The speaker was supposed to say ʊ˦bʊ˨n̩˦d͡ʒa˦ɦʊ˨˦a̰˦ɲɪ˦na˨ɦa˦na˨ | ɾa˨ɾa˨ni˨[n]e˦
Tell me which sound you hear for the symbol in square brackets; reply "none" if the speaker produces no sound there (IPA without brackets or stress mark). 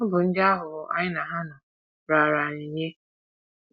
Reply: ɲ